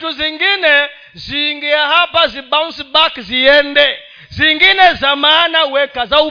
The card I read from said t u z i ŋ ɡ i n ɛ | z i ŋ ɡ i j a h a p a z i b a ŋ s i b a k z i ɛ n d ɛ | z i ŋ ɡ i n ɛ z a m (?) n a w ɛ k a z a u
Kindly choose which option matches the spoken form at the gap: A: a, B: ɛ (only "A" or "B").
A